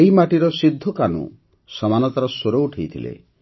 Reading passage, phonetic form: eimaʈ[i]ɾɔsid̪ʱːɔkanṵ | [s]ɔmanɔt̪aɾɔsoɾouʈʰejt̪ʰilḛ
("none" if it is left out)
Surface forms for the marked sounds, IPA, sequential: i, s

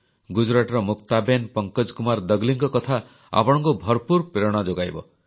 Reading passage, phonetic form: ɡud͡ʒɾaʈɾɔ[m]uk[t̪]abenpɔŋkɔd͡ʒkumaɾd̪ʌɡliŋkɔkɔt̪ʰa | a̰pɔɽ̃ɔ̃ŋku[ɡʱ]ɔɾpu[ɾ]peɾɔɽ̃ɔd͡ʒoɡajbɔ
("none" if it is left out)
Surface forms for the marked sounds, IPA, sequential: m, t̪, bʱ, ɾ

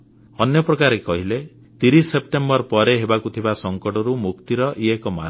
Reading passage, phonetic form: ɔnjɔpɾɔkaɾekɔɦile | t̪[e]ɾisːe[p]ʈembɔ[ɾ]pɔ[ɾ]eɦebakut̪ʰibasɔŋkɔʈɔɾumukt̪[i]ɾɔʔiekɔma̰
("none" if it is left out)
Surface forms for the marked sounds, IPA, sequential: i, p, ɾ, ɾ, i

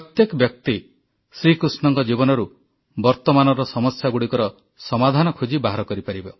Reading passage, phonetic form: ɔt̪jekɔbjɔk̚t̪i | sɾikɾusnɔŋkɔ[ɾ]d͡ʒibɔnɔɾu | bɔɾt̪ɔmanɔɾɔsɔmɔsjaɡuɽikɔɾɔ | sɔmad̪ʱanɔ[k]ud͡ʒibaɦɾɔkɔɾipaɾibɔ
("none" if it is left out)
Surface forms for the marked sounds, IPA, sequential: none, kʰ

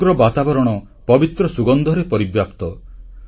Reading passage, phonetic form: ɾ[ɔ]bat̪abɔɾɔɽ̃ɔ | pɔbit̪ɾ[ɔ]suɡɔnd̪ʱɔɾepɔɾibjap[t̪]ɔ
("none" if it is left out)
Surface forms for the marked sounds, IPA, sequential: ɔ, ɔ, t̪

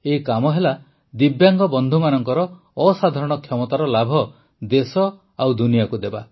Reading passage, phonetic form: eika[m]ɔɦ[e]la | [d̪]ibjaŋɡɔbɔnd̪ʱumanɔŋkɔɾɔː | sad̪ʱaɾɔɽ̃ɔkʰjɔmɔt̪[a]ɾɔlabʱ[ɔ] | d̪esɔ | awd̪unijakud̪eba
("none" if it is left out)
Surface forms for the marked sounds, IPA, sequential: m, e, d̪, a, ɔ

